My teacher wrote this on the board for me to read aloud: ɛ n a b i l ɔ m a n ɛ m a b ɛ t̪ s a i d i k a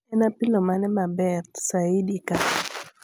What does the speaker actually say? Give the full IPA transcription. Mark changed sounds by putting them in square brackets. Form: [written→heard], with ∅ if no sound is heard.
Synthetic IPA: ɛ n a [b→p] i l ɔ m a n ɛ m a b ɛ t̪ s a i d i k a